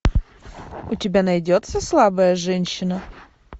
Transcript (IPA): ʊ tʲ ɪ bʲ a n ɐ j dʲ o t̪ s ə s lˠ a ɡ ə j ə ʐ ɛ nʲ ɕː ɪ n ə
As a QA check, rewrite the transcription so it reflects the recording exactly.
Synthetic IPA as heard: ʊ tʲ ɪ bʲ a n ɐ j dʲ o t̪ s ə s lˠ a b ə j ə ʐ ɛ nʲ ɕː ɪ n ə